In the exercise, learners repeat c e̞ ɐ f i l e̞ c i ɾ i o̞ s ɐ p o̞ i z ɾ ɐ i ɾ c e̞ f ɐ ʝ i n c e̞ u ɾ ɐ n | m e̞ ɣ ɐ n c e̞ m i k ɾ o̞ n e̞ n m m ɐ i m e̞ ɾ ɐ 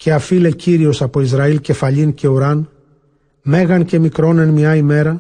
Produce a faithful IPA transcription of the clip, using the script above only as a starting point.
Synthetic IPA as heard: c e̞ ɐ f i l e̞ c i ɾ i o̞ s ɐ p o̞ i z ɾ ɐ i l c e̞ f ɐ ʎ i n c e̞ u ɾ ɐ n | m e̞ ɣ ɐ n c e̞ m i k ɾ o̞ n e̞ n m ɲ ɐ i m e̞ ɾ ɐ